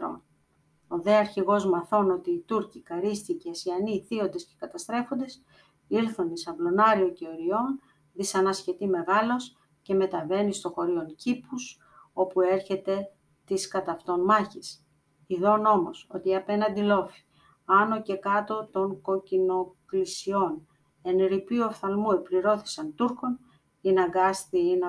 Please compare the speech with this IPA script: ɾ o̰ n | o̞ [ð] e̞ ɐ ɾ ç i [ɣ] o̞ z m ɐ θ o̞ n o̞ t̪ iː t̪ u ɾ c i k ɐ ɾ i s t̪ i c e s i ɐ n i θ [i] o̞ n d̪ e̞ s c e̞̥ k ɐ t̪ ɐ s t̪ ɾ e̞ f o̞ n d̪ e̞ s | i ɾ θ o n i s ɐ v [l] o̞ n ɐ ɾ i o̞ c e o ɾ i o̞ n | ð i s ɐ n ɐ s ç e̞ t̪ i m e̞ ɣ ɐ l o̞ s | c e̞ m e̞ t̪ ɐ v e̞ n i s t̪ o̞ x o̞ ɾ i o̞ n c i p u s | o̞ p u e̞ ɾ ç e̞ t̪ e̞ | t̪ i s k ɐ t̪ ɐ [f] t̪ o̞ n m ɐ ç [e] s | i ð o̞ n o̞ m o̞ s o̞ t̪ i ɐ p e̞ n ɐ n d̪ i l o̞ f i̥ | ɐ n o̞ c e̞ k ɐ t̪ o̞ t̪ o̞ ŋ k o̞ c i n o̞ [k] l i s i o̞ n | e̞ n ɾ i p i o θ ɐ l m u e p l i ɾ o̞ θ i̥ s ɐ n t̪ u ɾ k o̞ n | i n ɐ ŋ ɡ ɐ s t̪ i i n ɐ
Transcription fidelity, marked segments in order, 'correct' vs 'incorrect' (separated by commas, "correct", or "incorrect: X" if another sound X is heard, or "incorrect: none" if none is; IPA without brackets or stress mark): correct, correct, correct, correct, correct, incorrect: i, correct